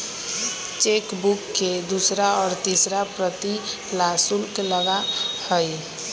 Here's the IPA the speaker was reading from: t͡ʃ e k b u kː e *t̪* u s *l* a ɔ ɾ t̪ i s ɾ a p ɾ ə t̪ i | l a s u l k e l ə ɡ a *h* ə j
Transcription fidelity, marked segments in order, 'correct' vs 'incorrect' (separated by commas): incorrect, incorrect, correct